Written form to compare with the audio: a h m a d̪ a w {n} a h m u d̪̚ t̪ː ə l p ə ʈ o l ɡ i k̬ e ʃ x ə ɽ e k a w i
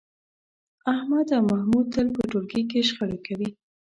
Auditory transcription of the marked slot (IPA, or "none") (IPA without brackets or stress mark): m